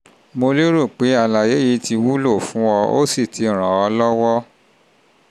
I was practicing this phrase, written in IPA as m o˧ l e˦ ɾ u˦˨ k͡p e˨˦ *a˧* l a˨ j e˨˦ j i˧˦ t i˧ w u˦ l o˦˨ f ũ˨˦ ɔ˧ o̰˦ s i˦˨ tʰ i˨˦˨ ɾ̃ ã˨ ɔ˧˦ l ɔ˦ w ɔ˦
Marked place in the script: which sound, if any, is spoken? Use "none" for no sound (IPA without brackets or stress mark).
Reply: a˧